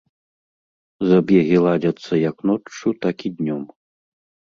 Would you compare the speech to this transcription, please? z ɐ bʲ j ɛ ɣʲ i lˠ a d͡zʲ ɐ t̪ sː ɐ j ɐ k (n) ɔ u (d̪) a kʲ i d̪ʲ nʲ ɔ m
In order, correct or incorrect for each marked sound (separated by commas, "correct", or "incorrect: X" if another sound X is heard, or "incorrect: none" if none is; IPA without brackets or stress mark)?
correct, incorrect: t̪